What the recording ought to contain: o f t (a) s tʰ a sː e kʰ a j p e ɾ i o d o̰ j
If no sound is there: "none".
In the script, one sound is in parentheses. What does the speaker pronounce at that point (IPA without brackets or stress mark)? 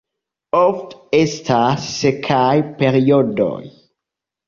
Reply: e